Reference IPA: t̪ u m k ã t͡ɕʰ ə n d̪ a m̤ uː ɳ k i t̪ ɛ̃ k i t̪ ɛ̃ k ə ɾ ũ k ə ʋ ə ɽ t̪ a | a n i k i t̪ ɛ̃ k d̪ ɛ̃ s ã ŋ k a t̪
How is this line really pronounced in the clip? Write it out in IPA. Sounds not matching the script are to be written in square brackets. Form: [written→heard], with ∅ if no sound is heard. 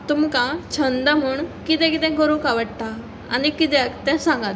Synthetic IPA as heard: t̪ u m k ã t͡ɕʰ ə n d̪ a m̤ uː ɳ k i t̪ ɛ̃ k i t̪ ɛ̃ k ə ɾ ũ k [ə→a] ʋ ə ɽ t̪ a | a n i k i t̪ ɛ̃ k [d̪→t̪] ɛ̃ s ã ŋ [k→ɡ] a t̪

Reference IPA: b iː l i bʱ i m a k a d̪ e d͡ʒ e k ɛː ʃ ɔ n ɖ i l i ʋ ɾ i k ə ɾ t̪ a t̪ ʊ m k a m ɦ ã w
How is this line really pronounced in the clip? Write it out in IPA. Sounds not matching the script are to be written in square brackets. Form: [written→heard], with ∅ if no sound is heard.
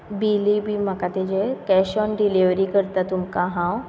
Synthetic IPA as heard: b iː l i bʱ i m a k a [d̪→t̪] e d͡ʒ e k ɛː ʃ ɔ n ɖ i l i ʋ ɾ i k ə ɾ t̪ a t̪ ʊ m k a [m→∅] ɦ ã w

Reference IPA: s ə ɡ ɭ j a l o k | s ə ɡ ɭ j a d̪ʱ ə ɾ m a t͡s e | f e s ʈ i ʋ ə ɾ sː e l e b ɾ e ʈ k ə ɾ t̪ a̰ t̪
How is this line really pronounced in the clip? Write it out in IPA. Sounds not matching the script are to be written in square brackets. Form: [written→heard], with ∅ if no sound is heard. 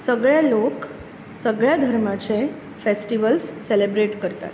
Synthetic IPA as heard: s ə ɡ ɭ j a l o k | s ə ɡ ɭ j a d̪ʱ ə ɾ m a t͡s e | f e s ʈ i ʋ ə [ɾ→l] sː e l e b ɾ e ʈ k ə ɾ t̪ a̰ t̪

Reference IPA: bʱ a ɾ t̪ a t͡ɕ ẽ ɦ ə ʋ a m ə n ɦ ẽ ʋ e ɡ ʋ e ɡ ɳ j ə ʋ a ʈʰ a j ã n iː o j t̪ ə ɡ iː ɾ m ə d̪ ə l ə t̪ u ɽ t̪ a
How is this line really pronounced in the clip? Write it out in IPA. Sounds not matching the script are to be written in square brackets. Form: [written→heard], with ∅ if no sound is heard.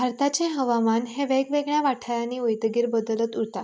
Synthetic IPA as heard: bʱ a ɾ t̪ a t͡ɕ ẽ ɦ ə ʋ a m [ə→a] n ɦ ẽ ʋ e ɡ ʋ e ɡ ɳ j [ə→a] ʋ a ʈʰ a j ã n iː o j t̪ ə ɡ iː ɾ [m→b] ə d̪ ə l ə t̪ u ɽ t̪ a

